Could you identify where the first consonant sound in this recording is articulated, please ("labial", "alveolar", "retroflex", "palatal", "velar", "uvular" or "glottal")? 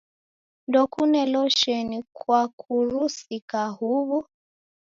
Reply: alveolar